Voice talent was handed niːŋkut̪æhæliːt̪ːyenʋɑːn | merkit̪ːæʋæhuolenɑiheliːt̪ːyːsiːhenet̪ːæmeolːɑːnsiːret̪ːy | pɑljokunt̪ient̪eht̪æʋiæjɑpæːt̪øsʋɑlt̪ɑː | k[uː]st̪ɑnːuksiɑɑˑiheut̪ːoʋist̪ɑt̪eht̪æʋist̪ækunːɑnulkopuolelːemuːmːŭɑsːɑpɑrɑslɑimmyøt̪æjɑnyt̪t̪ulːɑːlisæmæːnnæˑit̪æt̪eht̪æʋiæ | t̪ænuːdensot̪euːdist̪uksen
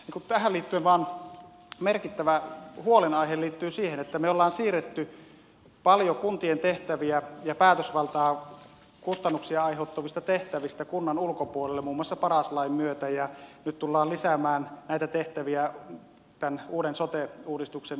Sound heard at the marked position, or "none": u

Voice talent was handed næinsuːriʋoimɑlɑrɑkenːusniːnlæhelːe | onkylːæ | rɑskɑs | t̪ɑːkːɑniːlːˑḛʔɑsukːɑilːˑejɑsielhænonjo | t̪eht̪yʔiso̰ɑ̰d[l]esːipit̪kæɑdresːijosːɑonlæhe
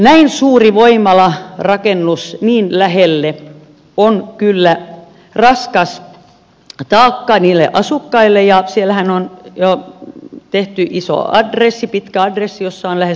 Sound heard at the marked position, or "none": r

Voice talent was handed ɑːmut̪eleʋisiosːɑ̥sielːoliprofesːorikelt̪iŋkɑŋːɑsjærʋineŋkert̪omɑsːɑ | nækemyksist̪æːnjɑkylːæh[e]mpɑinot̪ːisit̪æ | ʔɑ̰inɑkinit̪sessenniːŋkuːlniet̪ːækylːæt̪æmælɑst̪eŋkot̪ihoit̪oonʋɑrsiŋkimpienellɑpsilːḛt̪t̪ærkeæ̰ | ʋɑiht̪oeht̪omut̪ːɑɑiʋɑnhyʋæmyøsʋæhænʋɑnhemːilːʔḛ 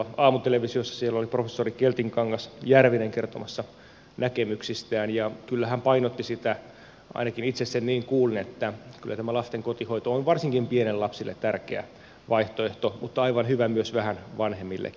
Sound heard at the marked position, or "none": æ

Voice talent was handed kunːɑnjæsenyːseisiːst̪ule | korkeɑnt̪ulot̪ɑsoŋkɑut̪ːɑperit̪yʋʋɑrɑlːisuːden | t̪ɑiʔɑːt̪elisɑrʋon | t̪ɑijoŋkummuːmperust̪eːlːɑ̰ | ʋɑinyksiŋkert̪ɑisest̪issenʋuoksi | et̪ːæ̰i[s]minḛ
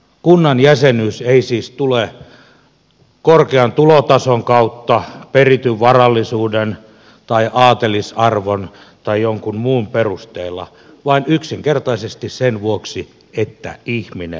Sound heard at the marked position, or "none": h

